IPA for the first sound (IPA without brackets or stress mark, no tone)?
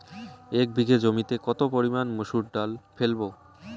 e